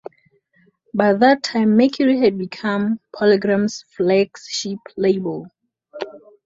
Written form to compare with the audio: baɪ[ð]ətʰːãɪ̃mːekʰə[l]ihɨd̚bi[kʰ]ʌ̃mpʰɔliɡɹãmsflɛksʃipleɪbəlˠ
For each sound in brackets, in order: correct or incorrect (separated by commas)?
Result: correct, incorrect, correct